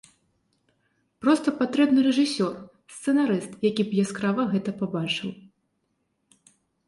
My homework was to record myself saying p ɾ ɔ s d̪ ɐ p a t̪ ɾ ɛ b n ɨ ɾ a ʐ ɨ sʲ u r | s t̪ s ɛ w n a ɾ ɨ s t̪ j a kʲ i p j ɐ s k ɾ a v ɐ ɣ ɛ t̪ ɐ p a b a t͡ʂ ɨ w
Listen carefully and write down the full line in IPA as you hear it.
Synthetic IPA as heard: p ɾ ɔ s t̪ ɐ p a t̪ ɾ ɛ b n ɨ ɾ ɛ ʐ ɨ sʲ ɔ r | s t̪ s ɛ n a ɾ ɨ s t̪ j a kʲ i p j a s k ɾ a v ɐ ɣ ɛ t̪ ɐ p a b a t͡ʂ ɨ w